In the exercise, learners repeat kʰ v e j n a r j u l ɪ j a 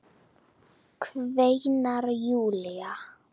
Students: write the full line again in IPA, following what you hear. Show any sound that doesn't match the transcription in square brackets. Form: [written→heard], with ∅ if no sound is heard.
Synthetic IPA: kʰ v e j n a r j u l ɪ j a